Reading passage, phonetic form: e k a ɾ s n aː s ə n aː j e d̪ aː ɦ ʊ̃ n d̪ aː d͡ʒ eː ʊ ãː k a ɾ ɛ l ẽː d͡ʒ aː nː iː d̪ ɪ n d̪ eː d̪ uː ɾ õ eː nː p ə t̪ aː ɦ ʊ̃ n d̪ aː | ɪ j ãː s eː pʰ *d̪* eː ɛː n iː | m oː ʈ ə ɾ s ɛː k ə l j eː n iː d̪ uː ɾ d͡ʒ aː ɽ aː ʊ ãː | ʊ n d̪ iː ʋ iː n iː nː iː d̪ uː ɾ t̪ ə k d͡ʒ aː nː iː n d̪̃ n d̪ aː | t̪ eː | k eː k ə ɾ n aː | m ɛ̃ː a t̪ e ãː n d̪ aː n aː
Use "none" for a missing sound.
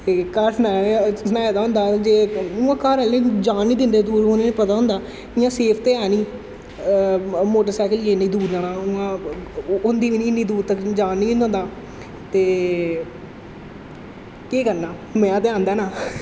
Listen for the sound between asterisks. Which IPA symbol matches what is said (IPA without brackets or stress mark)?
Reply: t̪